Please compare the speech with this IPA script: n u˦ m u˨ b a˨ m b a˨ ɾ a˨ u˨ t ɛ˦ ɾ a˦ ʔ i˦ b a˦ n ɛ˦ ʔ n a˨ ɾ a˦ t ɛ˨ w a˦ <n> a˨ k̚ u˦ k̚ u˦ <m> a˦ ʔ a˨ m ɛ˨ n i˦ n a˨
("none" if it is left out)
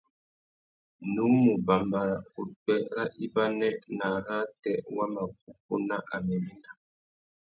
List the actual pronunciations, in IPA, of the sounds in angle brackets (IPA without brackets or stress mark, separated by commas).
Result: m, n